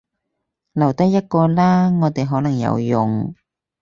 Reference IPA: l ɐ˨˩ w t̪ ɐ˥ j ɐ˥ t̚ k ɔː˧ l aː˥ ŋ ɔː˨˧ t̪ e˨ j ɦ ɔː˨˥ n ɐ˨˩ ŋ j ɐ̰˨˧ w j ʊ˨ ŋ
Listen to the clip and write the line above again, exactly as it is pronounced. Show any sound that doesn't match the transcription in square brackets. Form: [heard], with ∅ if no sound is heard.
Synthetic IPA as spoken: l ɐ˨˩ w t̪ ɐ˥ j ɐ˥ t̚ k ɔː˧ l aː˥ ŋ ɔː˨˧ t̪ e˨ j ɦ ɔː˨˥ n ɐ˨˩ ŋ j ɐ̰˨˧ w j ʊ˨ ŋ